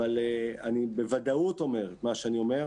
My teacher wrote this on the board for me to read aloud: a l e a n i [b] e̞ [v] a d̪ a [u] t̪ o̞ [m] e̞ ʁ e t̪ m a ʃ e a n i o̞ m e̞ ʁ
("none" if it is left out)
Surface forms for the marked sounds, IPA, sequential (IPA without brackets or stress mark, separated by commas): b, v, u, m